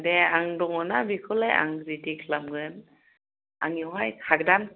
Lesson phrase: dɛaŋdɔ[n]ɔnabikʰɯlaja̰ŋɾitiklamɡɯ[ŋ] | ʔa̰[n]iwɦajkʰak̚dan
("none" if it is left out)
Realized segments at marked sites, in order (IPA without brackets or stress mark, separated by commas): ŋ, n, ŋ